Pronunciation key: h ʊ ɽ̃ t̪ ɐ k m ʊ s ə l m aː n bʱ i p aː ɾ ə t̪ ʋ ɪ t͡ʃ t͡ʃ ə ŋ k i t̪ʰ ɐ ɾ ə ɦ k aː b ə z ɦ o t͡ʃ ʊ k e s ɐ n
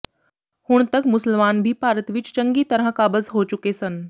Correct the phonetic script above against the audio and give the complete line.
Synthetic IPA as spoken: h ʊ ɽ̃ t̪ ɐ k m ʊ s ə l m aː n bʱ i p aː ɾ ə t̪ ʋ ɪ t͡ʃ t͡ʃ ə ŋ ɡ i t̪ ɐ ɾ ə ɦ k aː b ə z ɦ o t͡ʃ ʊ k e s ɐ n